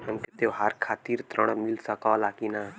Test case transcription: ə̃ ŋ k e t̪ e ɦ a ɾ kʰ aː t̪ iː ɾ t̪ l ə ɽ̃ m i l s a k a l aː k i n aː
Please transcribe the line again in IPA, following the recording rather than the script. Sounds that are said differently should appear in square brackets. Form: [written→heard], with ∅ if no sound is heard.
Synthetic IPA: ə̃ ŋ k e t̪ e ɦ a ɾ kʰ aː t̪ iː ɾ t̪ [l→ɾ] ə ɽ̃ m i l s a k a l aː k i n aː